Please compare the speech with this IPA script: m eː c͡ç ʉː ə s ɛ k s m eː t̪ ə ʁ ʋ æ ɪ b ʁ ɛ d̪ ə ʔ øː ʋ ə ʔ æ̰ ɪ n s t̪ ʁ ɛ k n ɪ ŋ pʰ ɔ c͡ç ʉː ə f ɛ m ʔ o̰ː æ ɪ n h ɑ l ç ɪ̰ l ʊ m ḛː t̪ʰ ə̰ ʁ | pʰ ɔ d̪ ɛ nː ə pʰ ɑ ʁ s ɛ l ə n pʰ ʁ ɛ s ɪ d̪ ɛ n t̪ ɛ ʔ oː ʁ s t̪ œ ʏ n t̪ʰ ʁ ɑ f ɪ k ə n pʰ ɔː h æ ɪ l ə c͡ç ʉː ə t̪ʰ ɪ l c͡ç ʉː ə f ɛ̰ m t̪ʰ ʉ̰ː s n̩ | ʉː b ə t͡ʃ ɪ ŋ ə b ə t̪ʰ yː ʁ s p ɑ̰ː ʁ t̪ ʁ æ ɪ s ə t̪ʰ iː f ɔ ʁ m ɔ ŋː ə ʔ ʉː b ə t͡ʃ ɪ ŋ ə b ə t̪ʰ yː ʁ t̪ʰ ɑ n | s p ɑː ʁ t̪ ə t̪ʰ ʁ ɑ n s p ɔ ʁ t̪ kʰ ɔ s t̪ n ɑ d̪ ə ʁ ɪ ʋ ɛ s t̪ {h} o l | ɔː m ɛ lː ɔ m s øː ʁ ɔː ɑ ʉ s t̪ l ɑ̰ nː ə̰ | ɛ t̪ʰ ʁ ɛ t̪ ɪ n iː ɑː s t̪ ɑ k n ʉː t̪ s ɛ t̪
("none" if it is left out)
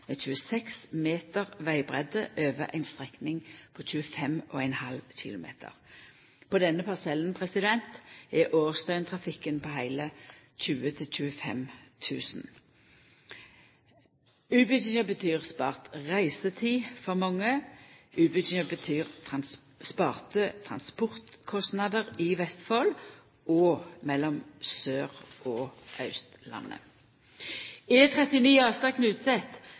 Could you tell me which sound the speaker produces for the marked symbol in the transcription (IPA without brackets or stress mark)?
f